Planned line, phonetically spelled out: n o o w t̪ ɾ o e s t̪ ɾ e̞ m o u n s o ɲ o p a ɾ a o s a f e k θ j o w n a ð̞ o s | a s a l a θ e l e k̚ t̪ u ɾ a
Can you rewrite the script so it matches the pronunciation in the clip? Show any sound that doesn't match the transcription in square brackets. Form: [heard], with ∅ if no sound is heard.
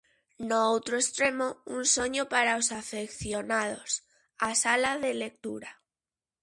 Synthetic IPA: n o o w t̪ ɾ o e s t̪ ɾ e̞ m o u n s o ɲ o p a ɾ a o s a f e k θ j o [∅] n a ð̞ o s | a s a l a [ð] e l e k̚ t̪ u ɾ a